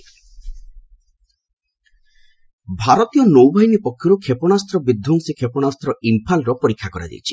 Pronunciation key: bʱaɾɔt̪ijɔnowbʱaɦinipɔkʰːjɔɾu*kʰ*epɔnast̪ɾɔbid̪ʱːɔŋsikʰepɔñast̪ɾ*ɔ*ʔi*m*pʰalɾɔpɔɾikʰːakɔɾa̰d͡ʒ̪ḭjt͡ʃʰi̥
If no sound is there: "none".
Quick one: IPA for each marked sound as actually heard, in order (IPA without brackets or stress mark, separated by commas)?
kʰ, ɔ, m